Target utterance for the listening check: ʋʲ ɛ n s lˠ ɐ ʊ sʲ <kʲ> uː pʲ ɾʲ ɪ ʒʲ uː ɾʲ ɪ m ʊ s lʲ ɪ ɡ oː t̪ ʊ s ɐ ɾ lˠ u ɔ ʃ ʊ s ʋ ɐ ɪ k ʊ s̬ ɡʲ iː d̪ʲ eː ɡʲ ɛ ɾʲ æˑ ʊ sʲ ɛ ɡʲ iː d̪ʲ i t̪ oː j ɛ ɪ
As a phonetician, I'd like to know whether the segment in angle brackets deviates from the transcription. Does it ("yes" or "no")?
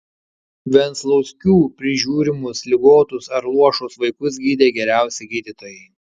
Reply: no